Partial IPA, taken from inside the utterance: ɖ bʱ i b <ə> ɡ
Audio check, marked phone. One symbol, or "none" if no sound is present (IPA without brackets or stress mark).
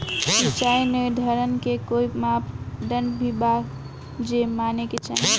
a